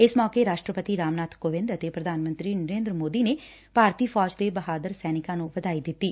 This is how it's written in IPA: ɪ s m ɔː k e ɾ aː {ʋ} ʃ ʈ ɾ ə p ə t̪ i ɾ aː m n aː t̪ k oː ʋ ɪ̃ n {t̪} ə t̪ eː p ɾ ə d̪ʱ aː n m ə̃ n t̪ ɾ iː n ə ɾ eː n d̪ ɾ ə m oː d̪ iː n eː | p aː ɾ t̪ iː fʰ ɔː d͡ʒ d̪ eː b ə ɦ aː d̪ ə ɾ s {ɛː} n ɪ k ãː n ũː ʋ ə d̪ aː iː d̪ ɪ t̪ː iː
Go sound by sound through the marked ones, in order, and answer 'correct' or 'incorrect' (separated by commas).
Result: incorrect, incorrect, correct